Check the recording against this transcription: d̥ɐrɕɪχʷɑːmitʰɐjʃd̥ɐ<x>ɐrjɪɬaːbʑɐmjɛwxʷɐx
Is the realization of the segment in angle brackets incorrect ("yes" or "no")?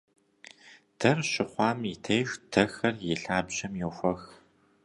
no